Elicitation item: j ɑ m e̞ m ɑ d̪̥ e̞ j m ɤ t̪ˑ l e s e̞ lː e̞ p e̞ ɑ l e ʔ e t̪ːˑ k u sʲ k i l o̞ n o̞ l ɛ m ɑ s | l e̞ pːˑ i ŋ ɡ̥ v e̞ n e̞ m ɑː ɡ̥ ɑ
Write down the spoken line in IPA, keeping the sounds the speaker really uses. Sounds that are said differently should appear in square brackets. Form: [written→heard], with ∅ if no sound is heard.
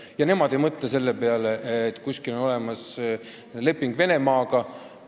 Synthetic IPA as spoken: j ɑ [m→n] e̞ m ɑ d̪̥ e̞ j m ɤ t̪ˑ l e s e̞ lː e̞ p e̞ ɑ l e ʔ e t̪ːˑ k u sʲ k i l o̞ n o̞ l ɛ m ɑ s | l e̞ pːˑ i ŋ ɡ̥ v e̞ n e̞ m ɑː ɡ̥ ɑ